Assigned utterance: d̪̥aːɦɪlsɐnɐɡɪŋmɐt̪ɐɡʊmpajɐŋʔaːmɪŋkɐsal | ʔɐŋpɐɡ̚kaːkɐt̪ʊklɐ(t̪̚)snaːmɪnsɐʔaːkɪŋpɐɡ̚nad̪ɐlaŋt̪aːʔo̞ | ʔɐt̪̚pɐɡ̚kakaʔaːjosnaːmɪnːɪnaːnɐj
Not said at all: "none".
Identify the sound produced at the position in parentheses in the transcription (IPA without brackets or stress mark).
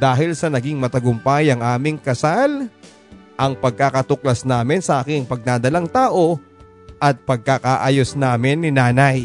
none